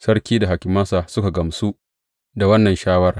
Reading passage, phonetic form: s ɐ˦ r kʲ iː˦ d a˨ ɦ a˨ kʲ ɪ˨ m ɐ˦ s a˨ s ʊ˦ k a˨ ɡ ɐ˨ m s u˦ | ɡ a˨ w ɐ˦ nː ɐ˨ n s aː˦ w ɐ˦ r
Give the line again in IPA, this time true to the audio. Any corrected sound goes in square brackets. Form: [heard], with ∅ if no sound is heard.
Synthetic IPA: s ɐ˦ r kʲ iː˦ d a˨ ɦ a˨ kʲ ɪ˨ m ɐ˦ s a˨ s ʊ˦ k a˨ ɡ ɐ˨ m s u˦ | [d] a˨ w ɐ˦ nː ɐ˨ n [ʃ] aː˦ w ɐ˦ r